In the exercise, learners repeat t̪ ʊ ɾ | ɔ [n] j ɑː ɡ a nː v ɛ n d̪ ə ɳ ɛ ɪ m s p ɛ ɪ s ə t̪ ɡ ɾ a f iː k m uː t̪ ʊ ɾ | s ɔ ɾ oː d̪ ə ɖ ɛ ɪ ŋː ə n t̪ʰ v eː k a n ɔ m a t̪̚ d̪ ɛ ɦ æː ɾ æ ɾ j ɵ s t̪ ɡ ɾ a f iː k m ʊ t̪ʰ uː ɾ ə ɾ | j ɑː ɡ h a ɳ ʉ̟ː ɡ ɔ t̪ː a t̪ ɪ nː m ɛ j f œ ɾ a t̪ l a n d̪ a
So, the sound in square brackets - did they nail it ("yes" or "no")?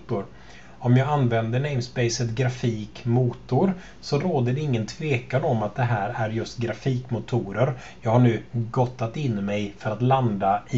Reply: no